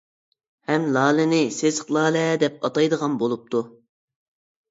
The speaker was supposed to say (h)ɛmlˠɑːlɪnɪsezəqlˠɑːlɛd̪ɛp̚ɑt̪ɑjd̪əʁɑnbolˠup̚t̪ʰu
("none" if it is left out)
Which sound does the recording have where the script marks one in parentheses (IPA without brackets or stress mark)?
h